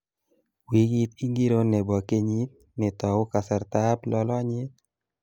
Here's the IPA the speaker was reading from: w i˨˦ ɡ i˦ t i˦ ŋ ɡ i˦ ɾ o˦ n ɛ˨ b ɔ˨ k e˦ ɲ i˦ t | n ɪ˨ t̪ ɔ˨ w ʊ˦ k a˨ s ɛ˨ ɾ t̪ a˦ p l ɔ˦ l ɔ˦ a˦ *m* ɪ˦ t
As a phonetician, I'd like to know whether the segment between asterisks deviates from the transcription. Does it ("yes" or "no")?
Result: yes